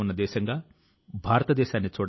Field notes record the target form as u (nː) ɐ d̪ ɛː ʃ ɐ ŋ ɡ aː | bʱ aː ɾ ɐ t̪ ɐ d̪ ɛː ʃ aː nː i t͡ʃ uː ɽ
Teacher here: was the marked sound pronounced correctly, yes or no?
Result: yes